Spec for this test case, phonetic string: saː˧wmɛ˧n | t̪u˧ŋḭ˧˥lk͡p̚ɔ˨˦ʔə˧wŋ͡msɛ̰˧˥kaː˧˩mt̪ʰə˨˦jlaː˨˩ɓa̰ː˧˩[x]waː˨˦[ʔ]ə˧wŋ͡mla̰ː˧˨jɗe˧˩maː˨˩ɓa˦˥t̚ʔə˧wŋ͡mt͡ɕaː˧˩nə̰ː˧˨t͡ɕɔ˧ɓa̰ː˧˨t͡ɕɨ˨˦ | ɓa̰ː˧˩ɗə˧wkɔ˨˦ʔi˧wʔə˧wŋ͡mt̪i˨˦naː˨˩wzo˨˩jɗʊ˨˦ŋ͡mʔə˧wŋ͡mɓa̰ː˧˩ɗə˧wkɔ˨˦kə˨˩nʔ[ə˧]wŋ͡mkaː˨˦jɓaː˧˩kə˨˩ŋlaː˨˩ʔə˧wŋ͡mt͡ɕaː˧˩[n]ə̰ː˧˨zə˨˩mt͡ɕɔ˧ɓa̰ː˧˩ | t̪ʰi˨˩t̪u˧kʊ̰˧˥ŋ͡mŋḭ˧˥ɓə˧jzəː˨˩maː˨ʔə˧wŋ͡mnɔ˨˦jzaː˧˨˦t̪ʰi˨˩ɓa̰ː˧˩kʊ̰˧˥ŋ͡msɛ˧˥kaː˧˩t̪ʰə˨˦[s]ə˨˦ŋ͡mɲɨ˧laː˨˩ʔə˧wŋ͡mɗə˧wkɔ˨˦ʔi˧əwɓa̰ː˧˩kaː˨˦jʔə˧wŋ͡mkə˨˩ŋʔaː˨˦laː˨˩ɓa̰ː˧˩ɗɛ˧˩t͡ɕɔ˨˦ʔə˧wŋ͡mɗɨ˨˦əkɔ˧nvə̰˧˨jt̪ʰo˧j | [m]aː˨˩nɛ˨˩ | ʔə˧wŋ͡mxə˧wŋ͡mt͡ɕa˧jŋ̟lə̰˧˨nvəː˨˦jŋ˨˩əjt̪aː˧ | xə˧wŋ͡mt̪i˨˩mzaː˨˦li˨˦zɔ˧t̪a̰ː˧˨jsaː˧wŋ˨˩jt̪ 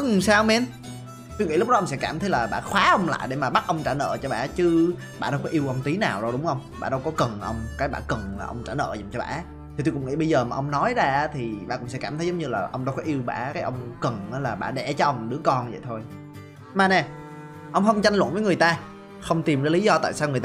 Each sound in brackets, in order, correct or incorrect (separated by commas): correct, correct, correct, correct, incorrect, correct